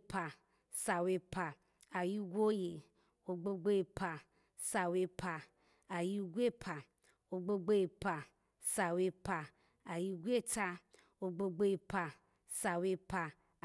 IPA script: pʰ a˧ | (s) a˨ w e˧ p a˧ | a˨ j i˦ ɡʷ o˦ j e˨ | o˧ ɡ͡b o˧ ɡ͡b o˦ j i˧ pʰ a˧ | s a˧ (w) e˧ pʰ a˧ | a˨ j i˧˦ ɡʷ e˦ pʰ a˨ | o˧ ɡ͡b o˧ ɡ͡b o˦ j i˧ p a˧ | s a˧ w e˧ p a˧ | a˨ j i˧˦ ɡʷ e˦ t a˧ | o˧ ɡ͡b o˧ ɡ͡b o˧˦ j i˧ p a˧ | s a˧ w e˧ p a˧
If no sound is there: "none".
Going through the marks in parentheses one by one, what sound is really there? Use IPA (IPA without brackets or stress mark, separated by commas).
s, w